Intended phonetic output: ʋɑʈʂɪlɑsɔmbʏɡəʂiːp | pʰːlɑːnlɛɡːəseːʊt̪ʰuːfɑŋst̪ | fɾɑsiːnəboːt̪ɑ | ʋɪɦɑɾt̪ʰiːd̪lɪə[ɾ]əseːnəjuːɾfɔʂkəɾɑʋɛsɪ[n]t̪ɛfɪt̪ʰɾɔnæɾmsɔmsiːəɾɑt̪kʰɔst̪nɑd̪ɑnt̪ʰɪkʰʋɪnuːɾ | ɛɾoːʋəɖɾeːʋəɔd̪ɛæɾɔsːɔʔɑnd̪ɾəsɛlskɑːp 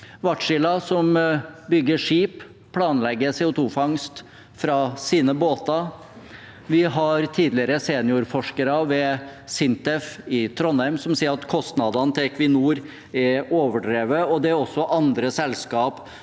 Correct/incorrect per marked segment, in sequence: correct, correct

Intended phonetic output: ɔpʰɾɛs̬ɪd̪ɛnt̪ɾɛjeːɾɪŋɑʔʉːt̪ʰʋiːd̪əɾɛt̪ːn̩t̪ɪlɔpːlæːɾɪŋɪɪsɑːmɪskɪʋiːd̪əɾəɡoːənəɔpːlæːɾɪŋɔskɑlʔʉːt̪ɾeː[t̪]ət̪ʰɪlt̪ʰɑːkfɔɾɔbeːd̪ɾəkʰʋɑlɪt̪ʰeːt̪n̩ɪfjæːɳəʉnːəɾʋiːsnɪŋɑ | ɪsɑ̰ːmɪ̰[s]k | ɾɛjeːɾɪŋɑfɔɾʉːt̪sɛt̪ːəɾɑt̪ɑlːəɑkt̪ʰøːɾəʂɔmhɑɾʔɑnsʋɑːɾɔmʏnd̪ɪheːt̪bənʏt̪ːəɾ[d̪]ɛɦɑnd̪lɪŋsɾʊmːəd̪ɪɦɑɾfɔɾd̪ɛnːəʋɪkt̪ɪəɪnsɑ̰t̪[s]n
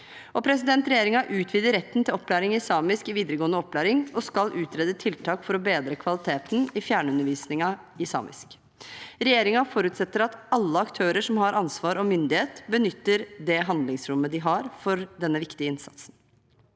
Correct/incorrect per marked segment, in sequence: incorrect, correct, correct, correct

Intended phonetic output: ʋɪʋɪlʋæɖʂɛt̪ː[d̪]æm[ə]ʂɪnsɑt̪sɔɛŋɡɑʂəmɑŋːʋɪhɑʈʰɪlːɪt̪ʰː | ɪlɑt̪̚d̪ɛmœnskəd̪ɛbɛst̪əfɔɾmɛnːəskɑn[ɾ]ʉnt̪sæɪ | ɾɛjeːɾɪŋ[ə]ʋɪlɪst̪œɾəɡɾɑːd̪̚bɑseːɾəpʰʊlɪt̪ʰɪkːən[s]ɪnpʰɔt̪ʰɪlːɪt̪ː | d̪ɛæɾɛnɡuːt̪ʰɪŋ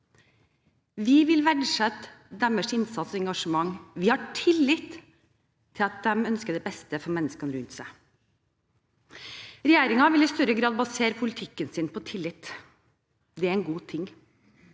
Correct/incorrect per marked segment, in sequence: correct, correct, correct, incorrect, correct

